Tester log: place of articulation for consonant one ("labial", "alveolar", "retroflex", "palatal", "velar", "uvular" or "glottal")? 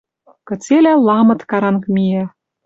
velar